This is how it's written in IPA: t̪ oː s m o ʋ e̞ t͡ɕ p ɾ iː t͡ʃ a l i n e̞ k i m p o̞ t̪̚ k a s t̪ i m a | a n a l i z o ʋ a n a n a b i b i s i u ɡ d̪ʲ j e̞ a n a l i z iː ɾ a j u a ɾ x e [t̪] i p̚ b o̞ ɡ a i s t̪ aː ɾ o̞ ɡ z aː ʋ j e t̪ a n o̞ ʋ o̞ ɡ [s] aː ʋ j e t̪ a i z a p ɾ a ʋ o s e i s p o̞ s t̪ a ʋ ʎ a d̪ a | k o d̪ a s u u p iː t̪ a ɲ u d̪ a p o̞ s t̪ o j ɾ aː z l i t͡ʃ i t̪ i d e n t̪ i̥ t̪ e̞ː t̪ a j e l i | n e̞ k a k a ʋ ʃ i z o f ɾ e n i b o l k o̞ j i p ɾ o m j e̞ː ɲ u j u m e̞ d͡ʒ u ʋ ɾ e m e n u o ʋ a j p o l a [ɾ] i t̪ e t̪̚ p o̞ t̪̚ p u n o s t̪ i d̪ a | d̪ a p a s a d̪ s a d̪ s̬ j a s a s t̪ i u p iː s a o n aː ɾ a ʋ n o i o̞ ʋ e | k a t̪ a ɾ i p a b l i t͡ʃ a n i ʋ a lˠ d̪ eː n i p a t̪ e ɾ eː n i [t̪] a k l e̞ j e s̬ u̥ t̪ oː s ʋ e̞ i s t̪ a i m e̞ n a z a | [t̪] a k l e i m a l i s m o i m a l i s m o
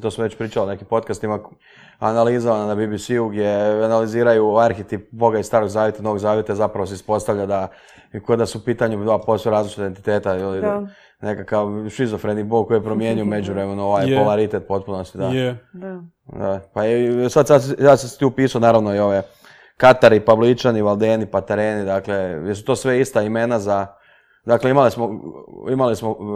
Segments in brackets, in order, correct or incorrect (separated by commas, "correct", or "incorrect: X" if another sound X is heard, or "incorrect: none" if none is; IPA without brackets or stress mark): correct, incorrect: z, correct, incorrect: d̪, incorrect: d̪